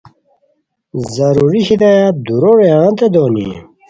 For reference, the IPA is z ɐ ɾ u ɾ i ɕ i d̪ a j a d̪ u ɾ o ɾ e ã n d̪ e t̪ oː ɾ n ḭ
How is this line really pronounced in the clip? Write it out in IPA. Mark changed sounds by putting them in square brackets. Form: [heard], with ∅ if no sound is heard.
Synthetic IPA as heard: z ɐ ɾ u ɾ i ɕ i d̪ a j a d̪ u ɾ o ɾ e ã n [t̪] e [d̪] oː [∅] n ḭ